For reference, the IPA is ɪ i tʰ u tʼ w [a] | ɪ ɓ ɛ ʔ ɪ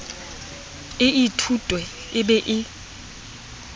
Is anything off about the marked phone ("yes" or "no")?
yes